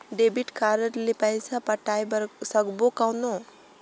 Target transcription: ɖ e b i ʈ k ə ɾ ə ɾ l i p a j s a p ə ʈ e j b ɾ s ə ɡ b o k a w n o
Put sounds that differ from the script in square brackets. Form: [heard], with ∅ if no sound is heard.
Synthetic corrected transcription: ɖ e b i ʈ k [a] ɾ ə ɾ l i p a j s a p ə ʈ [a] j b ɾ s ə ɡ b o k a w n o